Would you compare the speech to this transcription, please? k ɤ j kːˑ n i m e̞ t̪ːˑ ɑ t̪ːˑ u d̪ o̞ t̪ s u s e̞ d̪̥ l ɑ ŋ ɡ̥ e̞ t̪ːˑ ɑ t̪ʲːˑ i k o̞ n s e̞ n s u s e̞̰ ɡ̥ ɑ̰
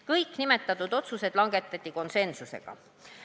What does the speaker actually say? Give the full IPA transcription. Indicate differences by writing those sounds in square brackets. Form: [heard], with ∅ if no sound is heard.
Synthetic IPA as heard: k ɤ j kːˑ n i m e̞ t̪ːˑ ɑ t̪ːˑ u d̪ o̞ t̪ s u s e̞ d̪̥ l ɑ ŋ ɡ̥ e̞ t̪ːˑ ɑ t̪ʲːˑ i k o̞ n s e̞ n s u s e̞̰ ɡ̥ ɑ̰